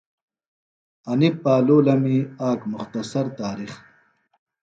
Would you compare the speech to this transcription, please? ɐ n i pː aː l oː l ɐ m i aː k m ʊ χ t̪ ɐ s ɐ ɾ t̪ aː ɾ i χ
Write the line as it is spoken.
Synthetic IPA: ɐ n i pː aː l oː l ɐ m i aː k m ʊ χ t̪ ɐ s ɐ ɾ t̪ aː ɾ i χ